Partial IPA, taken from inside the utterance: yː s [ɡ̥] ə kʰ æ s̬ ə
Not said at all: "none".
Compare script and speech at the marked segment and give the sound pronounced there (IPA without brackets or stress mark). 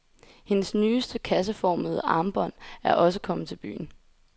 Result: d̥